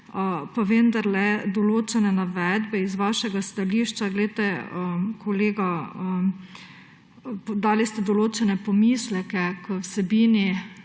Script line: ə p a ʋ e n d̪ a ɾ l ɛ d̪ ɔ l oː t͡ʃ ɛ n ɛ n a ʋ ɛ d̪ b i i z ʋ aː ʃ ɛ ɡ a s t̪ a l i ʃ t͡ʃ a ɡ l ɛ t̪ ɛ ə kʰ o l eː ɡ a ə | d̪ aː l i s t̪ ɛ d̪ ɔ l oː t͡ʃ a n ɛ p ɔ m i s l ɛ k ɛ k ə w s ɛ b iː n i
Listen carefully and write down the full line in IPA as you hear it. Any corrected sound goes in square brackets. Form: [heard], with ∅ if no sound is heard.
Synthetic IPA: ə p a ʋ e n d̪ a ɾ l ɛ d̪ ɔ l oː t͡ʃ ɛ n ɛ n a ʋ ɛ d̪ b [ɛ] i z ʋ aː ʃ ɛ ɡ a s t̪ a l i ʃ t͡ʃ a ɡ l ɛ t̪ ɛ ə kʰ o l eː ɡ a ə | d̪ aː l i s t̪ ɛ d̪ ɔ l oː t͡ʃ [ɛ] n ɛ p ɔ m i s l ɛ k ɛ k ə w s ɛ b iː n i